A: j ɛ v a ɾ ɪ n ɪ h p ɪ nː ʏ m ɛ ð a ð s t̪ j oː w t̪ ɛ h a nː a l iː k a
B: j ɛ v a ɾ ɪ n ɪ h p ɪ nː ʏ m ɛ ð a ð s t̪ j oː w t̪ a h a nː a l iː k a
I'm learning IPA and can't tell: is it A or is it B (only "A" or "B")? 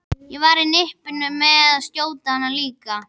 B